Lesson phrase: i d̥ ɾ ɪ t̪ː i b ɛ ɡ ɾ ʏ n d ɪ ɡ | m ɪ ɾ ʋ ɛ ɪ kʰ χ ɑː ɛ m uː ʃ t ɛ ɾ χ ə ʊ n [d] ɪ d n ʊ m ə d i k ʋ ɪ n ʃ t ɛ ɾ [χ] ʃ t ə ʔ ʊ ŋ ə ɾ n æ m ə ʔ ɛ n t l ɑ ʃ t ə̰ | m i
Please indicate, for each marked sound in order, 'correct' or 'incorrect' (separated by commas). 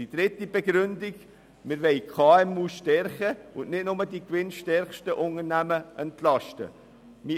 incorrect, correct